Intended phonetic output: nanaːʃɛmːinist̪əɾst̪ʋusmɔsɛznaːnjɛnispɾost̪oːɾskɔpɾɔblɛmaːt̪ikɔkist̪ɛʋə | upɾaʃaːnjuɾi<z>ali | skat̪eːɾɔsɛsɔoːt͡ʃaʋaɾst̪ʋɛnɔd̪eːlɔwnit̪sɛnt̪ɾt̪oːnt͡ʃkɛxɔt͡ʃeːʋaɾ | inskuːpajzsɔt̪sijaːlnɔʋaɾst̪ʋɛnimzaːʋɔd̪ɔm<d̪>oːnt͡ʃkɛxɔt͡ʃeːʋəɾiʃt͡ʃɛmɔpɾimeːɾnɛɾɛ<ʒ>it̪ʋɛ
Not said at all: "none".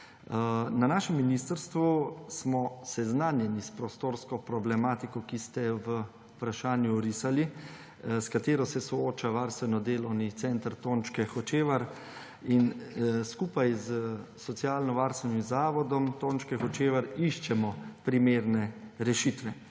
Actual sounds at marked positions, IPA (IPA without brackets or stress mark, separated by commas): s, t̪, ʃ